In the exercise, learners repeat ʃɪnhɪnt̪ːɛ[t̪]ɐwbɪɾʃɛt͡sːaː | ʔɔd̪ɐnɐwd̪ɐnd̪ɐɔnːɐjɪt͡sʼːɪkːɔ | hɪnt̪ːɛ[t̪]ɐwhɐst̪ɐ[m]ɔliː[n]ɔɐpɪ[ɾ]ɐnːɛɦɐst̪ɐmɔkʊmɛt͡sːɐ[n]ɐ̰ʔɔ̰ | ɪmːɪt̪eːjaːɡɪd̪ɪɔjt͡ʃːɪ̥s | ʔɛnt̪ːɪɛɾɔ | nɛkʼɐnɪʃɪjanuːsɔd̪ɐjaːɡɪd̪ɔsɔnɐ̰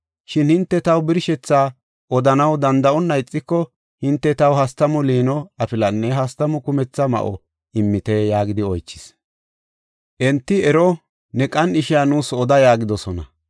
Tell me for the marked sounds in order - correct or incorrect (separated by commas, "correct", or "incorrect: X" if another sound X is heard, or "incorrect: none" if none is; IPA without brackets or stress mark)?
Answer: correct, correct, correct, correct, incorrect: l, incorrect: m